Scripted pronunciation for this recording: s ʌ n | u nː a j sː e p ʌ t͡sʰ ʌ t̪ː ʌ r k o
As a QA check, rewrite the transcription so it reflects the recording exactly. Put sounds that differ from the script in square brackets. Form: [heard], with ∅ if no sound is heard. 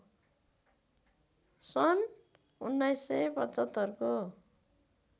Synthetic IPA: s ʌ n | u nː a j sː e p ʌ [t͡s] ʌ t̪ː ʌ r k o